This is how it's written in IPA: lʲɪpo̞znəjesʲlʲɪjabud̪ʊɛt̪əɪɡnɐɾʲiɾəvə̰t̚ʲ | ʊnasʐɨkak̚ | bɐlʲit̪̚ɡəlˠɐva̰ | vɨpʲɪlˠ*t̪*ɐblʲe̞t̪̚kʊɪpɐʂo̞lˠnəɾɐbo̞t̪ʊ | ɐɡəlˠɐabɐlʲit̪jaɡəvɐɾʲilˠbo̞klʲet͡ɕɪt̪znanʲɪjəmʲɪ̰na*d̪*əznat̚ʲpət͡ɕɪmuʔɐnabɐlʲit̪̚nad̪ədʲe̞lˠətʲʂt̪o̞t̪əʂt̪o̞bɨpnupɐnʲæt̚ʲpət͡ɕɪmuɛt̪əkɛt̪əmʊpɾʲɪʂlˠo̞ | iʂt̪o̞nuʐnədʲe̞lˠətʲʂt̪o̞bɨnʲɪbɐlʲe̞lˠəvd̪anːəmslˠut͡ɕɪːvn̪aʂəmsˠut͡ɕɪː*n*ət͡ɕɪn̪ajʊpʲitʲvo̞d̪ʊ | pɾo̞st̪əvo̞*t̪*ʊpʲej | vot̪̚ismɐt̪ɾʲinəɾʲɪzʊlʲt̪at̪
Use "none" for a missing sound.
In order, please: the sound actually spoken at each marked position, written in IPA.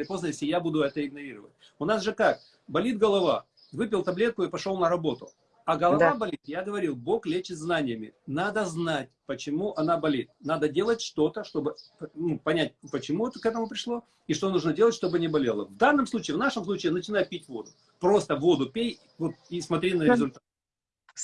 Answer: t̪, d̪, n, d̪

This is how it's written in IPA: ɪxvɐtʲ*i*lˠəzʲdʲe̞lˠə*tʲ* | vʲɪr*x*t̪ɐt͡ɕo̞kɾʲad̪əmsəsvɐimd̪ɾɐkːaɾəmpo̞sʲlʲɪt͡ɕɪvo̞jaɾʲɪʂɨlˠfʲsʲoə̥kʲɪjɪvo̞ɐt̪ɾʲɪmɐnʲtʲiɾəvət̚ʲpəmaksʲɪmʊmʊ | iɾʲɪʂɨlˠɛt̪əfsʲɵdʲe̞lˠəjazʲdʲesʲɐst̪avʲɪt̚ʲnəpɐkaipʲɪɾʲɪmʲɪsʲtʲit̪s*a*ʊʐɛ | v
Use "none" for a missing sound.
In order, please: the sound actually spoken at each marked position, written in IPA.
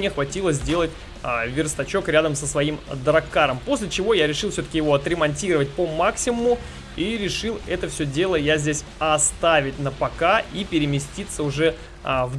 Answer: i, tʲ, s, ə

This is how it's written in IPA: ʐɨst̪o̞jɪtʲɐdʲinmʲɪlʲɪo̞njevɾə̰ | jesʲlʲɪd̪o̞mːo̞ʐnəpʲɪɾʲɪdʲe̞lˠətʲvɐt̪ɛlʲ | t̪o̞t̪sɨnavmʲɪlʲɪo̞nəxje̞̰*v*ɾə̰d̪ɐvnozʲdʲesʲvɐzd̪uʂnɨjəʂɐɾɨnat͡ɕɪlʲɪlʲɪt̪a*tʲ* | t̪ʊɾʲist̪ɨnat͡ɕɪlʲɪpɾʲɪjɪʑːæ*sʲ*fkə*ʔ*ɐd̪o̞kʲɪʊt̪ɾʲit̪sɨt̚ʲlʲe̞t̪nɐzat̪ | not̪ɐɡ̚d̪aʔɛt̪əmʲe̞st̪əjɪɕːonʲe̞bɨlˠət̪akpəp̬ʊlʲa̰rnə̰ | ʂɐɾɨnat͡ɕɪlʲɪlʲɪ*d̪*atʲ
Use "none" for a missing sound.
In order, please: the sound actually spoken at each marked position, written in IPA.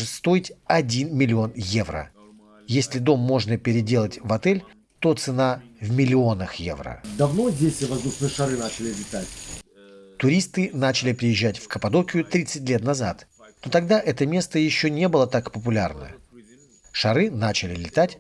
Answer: v, tʲ, tʲ, p, t̪

